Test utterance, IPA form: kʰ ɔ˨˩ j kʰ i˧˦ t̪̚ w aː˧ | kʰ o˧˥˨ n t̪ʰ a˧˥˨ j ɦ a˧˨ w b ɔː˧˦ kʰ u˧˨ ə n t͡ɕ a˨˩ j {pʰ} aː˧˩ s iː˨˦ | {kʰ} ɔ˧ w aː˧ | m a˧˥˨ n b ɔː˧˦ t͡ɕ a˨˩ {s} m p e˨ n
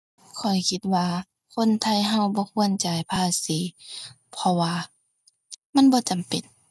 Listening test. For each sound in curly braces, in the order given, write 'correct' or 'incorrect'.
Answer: correct, incorrect: pʰ, incorrect: none

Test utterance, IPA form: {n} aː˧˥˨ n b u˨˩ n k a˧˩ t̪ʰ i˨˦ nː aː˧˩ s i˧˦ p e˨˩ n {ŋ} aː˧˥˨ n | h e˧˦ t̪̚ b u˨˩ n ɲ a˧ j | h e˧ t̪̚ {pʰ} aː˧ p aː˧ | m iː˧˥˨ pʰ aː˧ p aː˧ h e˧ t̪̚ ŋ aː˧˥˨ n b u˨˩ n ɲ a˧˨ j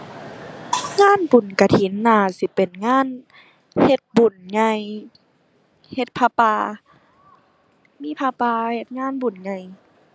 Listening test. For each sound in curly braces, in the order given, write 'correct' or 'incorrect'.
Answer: incorrect: ŋ, correct, correct

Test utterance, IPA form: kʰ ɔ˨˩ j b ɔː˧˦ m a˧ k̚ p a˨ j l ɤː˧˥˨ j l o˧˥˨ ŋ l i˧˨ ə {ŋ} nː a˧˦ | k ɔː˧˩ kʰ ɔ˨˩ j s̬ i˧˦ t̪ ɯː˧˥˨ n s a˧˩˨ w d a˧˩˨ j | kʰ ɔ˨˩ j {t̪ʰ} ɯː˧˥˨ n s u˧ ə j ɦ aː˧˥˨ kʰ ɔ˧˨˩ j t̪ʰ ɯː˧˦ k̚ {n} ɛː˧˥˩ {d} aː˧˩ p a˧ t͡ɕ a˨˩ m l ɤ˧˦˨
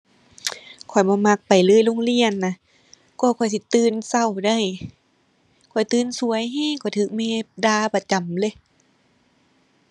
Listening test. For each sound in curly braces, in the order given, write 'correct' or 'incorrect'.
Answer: incorrect: none, incorrect: t̪, incorrect: m, correct

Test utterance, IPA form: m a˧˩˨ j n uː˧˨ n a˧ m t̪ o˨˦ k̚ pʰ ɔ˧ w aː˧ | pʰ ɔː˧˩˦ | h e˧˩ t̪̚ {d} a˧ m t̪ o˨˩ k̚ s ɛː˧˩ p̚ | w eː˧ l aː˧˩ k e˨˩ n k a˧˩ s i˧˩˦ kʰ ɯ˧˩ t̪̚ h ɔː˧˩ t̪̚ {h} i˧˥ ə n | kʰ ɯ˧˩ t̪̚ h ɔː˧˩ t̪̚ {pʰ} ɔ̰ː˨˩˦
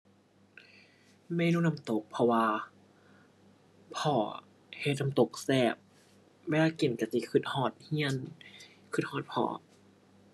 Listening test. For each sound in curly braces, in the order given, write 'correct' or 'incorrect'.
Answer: incorrect: n, correct, correct

